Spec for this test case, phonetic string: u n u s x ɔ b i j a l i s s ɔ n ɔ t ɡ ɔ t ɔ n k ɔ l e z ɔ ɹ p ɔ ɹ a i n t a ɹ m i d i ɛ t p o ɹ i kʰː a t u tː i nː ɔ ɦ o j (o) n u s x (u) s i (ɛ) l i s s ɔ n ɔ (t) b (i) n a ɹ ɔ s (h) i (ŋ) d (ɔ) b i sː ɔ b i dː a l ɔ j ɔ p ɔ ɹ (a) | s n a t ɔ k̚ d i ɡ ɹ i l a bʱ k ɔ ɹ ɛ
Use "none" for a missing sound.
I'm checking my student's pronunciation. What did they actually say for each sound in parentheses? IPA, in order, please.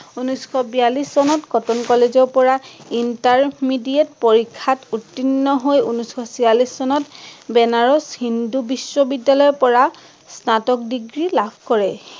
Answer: u, ɔ, a, t, ɛ, h, n, u, a

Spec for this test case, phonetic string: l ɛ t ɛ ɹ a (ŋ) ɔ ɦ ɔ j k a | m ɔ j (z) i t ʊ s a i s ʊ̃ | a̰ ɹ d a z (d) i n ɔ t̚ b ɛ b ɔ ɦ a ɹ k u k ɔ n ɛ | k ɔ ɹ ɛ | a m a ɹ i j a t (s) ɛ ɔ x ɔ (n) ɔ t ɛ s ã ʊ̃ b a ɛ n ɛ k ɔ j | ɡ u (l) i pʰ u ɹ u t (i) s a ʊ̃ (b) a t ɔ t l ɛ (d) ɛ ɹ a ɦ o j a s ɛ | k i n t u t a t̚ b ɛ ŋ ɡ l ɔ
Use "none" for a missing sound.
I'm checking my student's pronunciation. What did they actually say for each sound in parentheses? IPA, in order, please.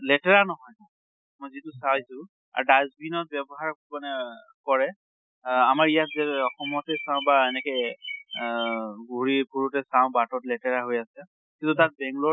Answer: n, z, b, z, m, ɹ, ɛ, b, t

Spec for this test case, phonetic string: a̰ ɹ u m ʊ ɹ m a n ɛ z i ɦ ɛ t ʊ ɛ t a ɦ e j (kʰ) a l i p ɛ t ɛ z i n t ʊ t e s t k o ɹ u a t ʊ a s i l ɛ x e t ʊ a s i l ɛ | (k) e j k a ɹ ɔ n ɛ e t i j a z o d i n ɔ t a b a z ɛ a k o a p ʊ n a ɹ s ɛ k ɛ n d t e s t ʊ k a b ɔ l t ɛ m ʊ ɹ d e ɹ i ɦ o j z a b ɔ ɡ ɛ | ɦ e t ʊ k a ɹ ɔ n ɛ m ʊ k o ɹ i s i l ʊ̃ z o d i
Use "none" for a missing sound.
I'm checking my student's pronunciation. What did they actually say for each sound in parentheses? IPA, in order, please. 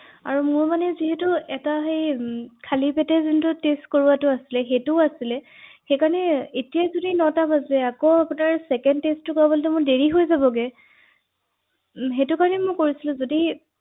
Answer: kʰ, x

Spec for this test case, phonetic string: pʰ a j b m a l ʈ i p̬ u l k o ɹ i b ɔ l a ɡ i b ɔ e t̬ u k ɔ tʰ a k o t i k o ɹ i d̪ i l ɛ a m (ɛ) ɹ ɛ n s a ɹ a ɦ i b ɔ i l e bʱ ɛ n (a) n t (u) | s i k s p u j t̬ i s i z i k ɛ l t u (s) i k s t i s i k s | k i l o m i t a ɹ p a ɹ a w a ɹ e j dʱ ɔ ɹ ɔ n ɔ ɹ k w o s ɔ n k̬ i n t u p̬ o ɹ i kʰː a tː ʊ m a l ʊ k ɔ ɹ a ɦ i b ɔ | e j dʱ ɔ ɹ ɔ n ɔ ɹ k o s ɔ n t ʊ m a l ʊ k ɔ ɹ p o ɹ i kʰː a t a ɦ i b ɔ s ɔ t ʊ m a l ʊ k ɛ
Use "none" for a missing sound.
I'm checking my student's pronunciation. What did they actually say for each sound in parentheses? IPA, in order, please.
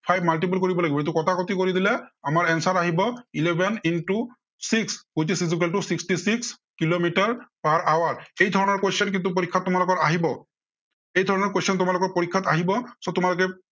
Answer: a, i, u, s

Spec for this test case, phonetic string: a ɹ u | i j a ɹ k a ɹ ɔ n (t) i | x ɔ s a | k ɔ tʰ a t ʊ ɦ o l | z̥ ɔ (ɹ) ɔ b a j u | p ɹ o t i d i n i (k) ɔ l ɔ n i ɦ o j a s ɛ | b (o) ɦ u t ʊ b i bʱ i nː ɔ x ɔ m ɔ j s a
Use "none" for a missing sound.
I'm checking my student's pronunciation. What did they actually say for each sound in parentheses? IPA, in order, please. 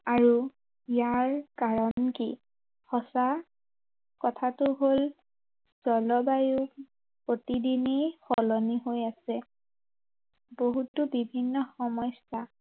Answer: k, l, x, o

